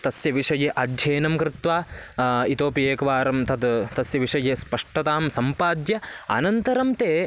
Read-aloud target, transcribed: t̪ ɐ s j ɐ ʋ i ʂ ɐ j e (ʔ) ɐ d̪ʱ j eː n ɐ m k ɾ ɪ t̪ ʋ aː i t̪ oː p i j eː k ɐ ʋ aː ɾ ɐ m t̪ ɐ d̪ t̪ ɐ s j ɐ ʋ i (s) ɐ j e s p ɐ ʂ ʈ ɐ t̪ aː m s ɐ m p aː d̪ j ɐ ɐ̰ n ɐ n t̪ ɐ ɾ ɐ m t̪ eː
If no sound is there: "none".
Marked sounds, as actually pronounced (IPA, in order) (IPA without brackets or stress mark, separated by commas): ʔ, ʂ